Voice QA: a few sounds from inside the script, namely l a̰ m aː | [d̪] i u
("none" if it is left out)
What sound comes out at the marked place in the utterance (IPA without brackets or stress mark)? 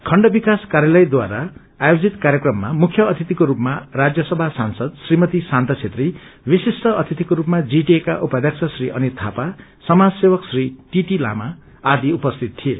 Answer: d̪